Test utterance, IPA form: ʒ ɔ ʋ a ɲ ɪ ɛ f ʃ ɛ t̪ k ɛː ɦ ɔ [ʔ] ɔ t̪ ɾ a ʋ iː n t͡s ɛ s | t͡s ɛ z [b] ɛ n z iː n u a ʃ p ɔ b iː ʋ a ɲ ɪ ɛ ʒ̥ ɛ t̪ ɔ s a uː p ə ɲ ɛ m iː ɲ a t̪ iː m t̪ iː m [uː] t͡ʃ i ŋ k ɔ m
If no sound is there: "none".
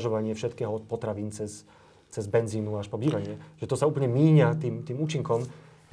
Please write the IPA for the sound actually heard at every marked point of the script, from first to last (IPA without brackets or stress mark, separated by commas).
p, b, uː